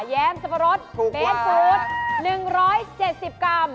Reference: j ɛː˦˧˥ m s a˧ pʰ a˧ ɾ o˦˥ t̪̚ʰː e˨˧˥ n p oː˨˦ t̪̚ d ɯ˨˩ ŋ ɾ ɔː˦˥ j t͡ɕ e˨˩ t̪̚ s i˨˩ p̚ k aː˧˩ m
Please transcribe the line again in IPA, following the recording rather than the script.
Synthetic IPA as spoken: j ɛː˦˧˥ m s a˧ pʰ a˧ ɾ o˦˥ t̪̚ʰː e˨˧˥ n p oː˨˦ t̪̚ n ɯ˨˩ ŋ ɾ ɔː˦˥ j t͡ɕ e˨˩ t̪̚ s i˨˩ p̚ k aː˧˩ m